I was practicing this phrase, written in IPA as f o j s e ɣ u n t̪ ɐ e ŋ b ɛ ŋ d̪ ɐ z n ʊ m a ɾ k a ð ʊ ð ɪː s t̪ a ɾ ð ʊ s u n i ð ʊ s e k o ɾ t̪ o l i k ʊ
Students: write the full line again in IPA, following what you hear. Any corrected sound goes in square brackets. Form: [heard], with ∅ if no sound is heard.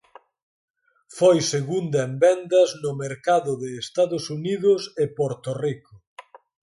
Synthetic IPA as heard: f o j s e ɣ u n [d̪] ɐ e [m] b ɛ [n] d̪ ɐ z n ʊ m [e] ɾ k a ð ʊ ð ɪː s t̪ a [∅] ð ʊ s u n i ð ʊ s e [p] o ɾ t̪ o [r] i k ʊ